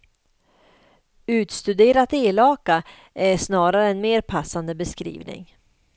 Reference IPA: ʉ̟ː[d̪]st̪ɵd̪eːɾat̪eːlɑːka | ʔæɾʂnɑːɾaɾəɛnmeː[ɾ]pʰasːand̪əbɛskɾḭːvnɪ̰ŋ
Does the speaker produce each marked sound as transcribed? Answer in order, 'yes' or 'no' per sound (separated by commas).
no, yes